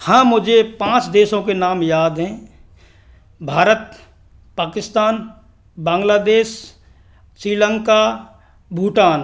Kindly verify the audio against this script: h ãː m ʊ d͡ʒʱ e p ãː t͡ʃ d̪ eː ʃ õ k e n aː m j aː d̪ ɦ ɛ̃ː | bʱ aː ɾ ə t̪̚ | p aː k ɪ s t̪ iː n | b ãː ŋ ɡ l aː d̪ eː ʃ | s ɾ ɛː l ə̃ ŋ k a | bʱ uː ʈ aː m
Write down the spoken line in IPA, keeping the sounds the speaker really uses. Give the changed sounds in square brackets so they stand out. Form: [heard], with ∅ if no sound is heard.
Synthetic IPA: h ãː m ʊ d͡ʒʱ e p ãː t͡ʃ d̪ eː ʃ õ k e n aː m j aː d̪ ɦ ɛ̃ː | bʱ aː ɾ ə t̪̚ | p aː k ɪ s t̪ [aː] n | b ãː ŋ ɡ l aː d̪ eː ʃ | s ɾ [iː] l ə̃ ŋ k a | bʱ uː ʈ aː [n]